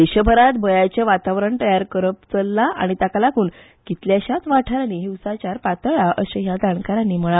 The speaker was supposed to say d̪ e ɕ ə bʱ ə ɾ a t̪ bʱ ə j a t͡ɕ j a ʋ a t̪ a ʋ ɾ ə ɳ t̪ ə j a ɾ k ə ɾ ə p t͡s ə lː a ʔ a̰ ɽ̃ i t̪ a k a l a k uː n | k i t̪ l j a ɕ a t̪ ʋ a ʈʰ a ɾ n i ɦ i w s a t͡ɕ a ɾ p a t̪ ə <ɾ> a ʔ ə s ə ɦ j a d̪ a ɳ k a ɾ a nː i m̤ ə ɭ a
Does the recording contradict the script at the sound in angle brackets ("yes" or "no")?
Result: yes